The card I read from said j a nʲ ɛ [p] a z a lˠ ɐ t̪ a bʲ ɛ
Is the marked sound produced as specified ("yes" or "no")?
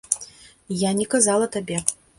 no